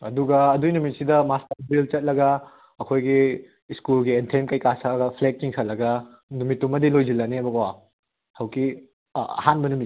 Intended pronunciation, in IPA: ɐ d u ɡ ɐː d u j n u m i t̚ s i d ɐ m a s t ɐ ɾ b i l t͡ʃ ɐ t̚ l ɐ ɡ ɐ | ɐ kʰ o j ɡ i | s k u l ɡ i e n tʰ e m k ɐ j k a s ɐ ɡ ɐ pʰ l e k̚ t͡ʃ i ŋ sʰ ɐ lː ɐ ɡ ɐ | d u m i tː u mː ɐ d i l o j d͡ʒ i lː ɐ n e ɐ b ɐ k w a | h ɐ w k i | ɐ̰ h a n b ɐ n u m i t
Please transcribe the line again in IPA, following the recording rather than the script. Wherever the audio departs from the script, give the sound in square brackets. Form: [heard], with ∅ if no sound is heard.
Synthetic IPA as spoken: ɐ d u ɡ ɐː d u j n u m i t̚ s i d ɐ m a s t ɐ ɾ b i l t͡ʃ ɐ t̚ l ɐ ɡ ɐ | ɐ kʰ o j ɡ i | s k u l ɡ i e n tʰ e m k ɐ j k a s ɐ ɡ ɐ pʰ l e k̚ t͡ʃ i ŋ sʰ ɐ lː ɐ ɡ ɐ | [n] u m i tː u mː ɐ d i l o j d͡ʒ i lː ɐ n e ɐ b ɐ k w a | h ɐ w k i | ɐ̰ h a n b ɐ n u m i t